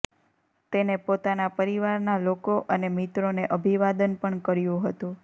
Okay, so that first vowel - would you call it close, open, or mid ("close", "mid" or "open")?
mid